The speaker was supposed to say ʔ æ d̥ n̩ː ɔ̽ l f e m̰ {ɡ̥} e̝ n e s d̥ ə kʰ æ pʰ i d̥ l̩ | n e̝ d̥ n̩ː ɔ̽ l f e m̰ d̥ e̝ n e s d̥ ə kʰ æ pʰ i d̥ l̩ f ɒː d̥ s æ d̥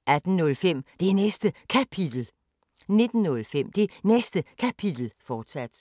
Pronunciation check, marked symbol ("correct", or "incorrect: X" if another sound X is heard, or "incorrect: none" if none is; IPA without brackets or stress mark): incorrect: d̥